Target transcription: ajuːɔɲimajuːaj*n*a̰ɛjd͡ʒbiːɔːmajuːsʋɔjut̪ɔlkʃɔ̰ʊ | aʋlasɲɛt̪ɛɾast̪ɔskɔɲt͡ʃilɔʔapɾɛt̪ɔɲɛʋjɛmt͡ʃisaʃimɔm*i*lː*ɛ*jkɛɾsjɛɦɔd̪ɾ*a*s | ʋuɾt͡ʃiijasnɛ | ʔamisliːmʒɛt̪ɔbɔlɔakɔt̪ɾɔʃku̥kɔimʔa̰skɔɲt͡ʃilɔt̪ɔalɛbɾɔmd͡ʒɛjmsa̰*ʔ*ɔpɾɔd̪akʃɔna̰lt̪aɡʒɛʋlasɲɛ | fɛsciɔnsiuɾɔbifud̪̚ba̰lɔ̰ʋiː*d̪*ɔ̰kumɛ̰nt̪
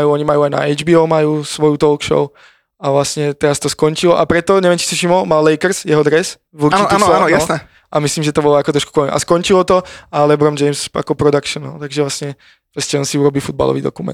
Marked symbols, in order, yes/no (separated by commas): yes, no, yes, no, no, yes